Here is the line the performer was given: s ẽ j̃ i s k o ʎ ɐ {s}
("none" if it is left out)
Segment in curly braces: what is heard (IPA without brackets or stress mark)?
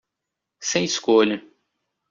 none